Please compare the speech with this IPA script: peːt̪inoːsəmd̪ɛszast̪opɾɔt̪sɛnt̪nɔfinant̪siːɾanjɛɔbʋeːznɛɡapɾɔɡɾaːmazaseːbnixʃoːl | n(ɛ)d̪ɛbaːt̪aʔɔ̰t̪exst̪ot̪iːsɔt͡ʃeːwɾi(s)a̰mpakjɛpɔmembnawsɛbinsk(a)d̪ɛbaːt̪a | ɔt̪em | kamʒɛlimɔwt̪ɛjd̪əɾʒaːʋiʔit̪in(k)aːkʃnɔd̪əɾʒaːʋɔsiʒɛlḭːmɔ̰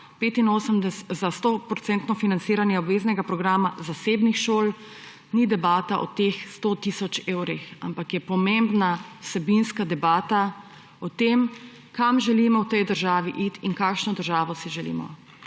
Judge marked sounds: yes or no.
no, no, yes, yes

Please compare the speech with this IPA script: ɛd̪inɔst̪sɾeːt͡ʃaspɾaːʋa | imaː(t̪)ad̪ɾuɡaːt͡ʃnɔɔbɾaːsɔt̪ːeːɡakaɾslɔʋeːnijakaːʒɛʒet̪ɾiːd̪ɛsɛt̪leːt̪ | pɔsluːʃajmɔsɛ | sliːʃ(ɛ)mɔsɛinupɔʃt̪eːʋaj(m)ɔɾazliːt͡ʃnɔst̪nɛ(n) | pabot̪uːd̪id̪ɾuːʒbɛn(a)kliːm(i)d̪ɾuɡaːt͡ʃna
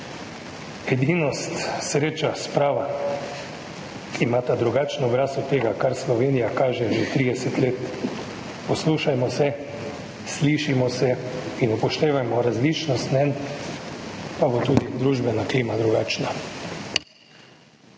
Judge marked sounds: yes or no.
yes, no, yes, yes, yes, no

